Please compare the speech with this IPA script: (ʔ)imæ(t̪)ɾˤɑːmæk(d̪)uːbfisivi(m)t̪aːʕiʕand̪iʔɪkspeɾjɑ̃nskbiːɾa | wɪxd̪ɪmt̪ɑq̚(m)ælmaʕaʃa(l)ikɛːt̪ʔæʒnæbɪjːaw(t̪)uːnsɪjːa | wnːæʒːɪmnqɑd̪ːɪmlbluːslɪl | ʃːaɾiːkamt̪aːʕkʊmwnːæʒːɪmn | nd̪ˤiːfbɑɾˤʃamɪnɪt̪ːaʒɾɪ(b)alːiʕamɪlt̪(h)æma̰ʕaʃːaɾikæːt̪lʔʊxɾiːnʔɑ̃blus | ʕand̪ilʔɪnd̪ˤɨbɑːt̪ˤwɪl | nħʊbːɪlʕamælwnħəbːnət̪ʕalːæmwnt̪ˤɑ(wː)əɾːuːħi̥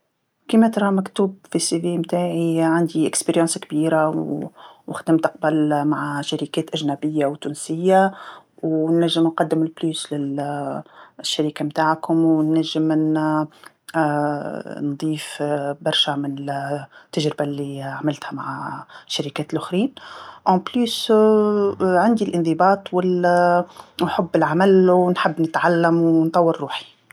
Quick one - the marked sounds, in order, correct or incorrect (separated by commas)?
incorrect, correct, incorrect, correct, incorrect, incorrect, correct, correct, correct, correct